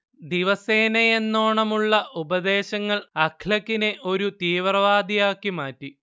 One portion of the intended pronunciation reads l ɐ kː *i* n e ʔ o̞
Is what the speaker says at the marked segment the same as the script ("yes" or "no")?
yes